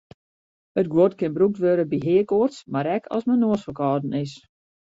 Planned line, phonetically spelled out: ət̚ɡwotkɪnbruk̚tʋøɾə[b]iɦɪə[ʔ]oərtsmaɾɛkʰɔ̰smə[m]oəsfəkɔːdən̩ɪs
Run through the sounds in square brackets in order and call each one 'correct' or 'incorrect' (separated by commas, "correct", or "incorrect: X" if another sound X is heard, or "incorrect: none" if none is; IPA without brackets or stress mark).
correct, incorrect: k, incorrect: n